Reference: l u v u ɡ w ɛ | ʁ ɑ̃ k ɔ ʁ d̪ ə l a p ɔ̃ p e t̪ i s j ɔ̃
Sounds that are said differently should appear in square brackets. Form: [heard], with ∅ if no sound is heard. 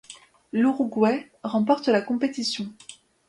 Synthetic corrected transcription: l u [ʁ] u ɡ w ɛ | ʁ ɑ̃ [p] ɔ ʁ [t̪] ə l a [k] ɔ̃ p e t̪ i s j ɔ̃